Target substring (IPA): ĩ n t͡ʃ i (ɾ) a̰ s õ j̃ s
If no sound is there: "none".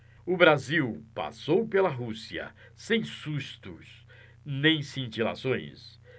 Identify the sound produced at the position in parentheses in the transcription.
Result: l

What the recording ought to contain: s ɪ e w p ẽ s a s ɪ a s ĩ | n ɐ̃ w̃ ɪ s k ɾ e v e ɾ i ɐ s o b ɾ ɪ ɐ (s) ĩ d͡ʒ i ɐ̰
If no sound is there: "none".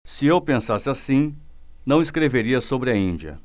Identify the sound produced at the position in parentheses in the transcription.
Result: none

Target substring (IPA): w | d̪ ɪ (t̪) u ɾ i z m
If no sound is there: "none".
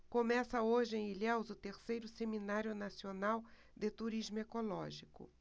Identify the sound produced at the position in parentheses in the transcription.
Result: t̪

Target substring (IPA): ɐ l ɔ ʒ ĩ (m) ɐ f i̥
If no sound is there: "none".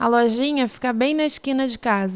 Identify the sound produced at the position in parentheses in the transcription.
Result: ɲ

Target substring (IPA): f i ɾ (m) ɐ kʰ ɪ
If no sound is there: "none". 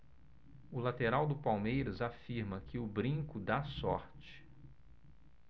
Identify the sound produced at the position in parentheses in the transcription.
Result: m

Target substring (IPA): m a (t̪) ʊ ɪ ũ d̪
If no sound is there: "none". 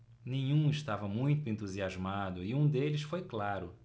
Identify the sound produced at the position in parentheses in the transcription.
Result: d̪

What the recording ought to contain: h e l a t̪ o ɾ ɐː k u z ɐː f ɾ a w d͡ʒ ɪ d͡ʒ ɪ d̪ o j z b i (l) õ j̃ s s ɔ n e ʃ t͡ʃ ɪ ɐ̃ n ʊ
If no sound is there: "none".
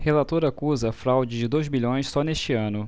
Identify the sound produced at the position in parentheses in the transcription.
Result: ʎ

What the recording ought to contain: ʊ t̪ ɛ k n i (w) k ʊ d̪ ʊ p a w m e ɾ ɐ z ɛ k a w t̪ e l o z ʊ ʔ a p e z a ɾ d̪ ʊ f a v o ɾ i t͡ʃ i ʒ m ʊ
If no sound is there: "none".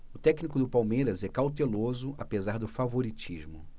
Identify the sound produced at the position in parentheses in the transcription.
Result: none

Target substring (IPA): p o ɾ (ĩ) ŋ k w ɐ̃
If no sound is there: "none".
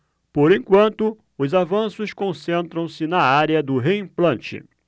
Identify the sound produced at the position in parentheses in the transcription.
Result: ẽ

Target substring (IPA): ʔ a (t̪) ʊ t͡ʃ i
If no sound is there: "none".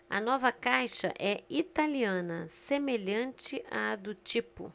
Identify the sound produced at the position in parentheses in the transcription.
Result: d̪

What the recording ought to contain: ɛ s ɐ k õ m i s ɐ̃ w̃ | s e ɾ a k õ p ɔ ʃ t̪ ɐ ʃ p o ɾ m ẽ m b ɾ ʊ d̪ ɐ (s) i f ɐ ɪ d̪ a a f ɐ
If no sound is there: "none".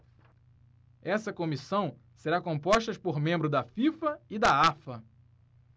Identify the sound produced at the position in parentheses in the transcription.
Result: f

